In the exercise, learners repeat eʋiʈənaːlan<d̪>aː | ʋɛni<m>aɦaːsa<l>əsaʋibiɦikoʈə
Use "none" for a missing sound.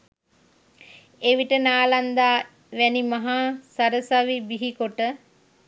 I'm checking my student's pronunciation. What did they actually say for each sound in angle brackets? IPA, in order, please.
d̪, m, ɾ

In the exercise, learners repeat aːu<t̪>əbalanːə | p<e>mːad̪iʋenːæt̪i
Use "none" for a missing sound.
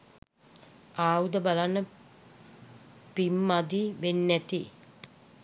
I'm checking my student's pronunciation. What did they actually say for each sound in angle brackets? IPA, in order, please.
d̪, i

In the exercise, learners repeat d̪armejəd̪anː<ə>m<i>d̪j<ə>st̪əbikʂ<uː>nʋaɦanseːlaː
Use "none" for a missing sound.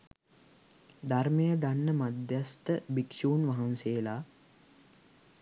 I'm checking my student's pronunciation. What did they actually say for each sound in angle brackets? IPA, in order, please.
ə, a, a, uː

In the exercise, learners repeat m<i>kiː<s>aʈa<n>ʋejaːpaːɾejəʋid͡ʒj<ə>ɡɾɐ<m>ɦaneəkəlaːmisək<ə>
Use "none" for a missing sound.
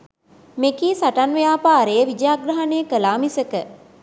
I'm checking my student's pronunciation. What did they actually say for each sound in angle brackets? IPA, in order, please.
e, s, n, a, none, ə

